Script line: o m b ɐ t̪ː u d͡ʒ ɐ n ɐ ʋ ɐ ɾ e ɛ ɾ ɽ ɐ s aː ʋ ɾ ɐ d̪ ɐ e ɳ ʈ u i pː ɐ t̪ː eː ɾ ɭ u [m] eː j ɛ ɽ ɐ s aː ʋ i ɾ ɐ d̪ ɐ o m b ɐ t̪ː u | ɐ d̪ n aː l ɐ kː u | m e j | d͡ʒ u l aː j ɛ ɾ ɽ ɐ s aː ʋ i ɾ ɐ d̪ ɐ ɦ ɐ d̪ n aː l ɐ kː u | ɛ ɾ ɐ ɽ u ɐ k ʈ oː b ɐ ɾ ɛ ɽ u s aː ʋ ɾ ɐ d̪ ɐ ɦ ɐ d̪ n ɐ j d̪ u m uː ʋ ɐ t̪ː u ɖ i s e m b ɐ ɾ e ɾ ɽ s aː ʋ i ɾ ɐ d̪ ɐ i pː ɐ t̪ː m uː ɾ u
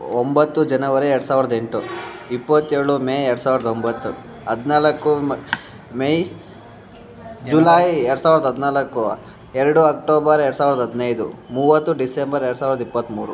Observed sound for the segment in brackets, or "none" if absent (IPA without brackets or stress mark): m